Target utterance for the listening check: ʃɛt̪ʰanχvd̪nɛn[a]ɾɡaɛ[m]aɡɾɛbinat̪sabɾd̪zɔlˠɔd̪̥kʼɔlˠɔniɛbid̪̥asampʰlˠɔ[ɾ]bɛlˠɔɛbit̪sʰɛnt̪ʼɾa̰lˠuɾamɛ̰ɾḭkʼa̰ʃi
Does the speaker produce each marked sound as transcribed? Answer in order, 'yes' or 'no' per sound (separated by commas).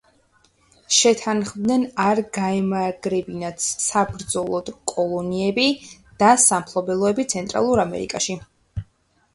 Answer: yes, yes, no